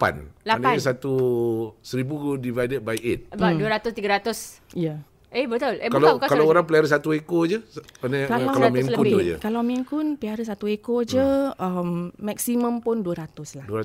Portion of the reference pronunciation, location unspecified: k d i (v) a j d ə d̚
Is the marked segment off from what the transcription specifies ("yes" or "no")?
no